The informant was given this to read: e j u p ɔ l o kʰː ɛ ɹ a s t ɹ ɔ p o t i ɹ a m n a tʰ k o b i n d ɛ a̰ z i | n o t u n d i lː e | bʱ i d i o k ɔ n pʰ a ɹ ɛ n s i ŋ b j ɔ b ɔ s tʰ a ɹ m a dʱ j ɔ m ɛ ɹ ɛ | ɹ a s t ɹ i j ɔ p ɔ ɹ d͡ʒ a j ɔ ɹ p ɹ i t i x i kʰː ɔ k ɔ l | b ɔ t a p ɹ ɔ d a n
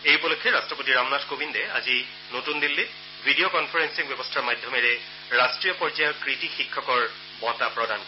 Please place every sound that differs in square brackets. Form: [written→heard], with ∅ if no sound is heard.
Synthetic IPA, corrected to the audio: e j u p ɔ l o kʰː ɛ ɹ a s t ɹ ɔ p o t i ɹ a m n a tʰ k o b i n d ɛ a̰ z i | n o t u n d i lː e | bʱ i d i o k ɔ n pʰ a ɹ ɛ n s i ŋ b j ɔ b ɔ s tʰ a ɹ m a dʱ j ɔ m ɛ ɹ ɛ | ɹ a s t ɹ i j ɔ p ɔ ɹ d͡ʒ a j ɔ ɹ [p→k] ɹ i t i x i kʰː ɔ k ɔ [l→ɹ] | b ɔ t a p ɹ ɔ d a n

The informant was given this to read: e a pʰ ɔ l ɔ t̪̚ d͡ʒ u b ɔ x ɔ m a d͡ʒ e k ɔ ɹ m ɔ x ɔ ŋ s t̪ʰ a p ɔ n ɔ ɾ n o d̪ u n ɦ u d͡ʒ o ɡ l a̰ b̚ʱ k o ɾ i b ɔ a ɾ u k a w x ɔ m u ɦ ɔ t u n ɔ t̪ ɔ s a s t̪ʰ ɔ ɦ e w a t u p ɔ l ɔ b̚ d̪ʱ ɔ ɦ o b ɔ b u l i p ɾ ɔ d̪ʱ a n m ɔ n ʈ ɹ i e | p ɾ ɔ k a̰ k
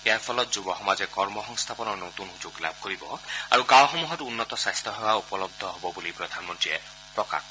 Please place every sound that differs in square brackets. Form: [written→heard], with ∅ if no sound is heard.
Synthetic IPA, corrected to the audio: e a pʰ ɔ l ɔ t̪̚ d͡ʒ u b ɔ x ɔ m a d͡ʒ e k ɔ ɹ m ɔ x ɔ ŋ s t̪ʰ a p ɔ n ɔ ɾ n o [d̪→t̪] u n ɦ u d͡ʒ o ɡ l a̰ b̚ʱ k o ɾ i b ɔ a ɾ u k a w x ɔ m u ɦ ɔ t u [n→nː] ɔ t̪ ɔ s a s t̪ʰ ɔ ɦ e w a [t→∅] u p ɔ l ɔ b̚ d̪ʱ ɔ ɦ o b ɔ b u l i p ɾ ɔ d̪ʱ a n m ɔ n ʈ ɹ i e | p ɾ ɔ k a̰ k

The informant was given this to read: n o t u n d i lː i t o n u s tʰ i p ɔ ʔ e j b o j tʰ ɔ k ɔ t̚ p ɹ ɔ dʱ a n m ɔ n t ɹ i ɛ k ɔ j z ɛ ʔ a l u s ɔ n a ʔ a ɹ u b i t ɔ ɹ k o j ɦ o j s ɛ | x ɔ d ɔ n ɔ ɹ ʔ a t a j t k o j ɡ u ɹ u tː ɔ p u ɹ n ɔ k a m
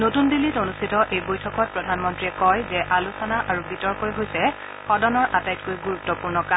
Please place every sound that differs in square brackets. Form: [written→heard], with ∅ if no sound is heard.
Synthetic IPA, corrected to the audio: n o t u n d i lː i t o n u s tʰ i [p→t] ɔ ʔ e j b o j tʰ ɔ k ɔ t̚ p ɹ ɔ dʱ a n m ɔ n t ɹ i ɛ k ɔ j z ɛ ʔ a l u s ɔ n a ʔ a ɹ u b i t ɔ ɹ k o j ɦ o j s ɛ | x ɔ d ɔ n ɔ ɹ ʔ a t a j t k o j ɡ u ɹ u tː ɔ p u ɹ n ɔ k a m

